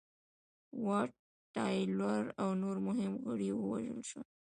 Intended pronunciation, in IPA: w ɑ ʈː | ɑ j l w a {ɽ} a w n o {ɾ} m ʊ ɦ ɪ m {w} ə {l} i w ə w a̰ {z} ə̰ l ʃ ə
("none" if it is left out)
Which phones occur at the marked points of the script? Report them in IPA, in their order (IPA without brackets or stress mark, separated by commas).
ɾ, ɾ, ɣ, ɽ, ʒ